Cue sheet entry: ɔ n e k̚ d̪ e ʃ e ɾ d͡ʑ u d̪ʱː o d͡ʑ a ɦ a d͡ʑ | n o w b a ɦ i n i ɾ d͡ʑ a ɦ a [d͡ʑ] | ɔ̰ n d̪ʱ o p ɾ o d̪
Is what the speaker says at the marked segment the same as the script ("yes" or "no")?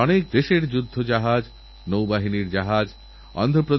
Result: yes